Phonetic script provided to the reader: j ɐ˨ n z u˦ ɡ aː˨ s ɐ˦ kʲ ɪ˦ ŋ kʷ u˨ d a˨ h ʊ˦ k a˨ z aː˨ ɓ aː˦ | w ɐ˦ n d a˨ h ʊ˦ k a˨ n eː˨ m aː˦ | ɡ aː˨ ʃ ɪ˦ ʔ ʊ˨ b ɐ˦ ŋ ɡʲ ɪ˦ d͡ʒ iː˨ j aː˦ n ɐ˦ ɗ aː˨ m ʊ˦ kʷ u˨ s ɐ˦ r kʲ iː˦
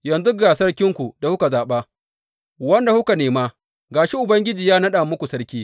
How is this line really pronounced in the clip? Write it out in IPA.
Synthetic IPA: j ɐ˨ n z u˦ ɡ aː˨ s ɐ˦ kʲ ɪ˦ ŋ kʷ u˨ d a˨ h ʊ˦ k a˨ z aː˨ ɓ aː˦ | w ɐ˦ n d a˨ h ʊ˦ k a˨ n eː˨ m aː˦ | ɡ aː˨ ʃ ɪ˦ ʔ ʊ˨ b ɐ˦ ŋ ɡʲ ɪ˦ d͡ʒ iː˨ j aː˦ n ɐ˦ ɗ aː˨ m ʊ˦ kʷ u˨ s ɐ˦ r kʲ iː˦